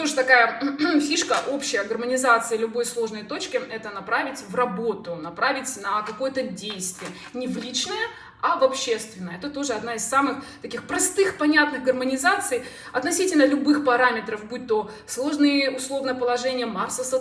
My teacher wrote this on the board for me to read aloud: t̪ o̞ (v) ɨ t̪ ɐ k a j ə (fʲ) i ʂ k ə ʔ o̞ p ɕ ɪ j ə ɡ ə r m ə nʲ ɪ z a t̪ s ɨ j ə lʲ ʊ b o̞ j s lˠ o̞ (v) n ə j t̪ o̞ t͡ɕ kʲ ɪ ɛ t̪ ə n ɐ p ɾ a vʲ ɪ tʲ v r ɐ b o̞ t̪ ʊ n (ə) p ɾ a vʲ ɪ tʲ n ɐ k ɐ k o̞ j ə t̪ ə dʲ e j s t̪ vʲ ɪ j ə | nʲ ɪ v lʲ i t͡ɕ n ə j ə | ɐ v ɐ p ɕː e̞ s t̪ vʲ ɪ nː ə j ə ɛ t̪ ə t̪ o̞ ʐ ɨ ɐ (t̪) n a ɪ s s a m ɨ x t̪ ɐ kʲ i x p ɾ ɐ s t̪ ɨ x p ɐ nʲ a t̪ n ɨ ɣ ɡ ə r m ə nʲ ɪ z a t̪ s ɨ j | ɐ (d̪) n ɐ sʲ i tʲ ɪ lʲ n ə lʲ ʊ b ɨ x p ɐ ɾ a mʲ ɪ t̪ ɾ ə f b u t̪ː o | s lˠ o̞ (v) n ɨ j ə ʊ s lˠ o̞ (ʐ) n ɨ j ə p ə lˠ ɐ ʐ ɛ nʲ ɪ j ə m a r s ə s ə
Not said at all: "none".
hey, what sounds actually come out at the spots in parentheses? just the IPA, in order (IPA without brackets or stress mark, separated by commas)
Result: ʐ, fʲ, ʐ, ɐ, d̪, t̪, ʐ, v